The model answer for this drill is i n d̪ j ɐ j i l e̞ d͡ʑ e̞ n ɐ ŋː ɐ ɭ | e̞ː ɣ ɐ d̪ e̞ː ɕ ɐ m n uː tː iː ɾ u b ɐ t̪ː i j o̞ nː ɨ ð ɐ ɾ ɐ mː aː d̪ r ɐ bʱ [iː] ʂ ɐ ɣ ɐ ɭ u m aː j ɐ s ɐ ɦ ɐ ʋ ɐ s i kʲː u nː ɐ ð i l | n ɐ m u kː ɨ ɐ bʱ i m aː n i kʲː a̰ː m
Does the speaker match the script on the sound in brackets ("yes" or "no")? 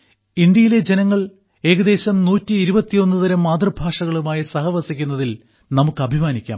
no